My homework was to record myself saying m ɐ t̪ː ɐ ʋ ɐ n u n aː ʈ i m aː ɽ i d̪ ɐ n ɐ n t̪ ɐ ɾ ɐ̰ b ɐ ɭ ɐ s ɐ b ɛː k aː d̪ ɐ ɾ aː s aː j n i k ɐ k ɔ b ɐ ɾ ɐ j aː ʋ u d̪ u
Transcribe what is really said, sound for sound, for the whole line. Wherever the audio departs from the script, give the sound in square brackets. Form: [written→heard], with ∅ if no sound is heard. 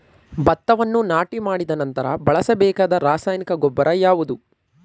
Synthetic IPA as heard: [m→b] ɐ t̪ː ɐ ʋ ɐ [n→nː] u n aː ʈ i m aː ɽ i d̪ ɐ n ɐ n t̪ ɐ ɾ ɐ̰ b ɐ ɭ ɐ s ɐ b ɛː k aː d̪ ɐ ɾ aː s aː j n i k ɐ [k→ɡ] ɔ [b→bː] ɐ ɾ ɐ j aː ʋ u d̪ u